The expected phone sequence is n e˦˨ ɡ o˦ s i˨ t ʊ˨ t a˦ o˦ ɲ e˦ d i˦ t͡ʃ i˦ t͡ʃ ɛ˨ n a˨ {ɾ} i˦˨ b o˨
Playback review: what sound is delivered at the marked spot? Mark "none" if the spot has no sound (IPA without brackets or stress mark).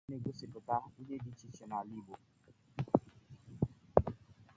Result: l